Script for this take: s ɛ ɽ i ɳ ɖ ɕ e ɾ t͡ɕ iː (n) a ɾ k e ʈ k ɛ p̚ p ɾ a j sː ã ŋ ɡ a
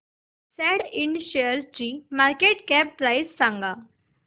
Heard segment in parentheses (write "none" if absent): m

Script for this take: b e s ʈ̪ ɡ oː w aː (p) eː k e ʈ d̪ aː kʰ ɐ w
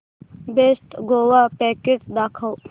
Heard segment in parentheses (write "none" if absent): p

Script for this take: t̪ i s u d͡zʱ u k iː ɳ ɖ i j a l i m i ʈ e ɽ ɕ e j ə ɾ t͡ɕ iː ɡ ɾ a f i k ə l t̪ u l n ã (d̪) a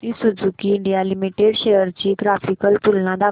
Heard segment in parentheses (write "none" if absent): d̪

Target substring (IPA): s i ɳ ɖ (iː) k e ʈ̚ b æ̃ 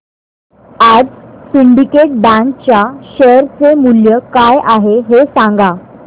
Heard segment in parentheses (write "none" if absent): i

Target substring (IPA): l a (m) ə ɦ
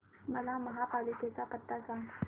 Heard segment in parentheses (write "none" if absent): m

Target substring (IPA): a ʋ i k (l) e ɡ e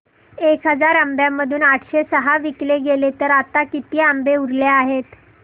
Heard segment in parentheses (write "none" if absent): l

